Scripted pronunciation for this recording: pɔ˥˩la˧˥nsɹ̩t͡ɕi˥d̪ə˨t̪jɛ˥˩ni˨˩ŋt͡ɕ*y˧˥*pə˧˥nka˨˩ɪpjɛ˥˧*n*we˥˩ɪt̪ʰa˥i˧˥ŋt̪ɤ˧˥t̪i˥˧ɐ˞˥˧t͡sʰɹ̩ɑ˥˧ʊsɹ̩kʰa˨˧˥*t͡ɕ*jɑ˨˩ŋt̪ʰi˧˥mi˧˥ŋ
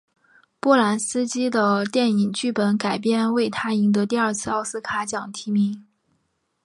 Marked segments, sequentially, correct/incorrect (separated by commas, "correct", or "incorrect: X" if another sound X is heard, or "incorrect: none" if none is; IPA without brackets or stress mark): incorrect: y˥˩, correct, correct